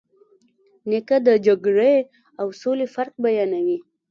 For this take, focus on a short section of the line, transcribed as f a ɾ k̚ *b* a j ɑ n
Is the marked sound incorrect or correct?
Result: correct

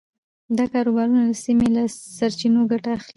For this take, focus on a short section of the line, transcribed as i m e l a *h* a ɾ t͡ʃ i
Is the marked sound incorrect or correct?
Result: incorrect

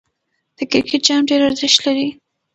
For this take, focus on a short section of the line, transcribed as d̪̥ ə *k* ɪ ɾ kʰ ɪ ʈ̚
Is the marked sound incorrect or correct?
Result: correct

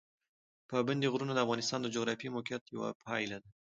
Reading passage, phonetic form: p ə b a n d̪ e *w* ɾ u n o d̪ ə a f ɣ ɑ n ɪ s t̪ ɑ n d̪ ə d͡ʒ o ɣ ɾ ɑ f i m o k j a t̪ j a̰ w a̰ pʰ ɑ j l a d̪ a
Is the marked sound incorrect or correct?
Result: incorrect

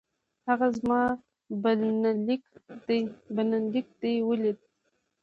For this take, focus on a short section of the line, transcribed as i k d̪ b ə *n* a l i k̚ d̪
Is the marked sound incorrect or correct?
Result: correct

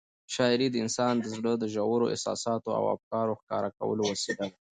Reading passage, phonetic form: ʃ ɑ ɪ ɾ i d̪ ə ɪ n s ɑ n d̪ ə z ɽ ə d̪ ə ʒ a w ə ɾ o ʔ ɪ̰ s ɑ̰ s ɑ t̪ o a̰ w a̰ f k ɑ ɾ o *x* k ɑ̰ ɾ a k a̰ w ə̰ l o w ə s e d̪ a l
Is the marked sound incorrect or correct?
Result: correct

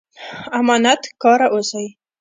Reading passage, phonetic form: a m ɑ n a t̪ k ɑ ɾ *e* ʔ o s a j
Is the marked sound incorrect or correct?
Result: incorrect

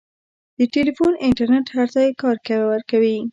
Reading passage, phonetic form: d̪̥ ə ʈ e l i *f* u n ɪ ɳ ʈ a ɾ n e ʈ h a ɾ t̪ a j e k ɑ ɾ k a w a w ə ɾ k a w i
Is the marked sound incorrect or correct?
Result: correct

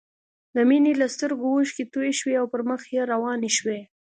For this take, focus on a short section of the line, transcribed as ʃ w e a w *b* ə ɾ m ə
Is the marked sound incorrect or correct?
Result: incorrect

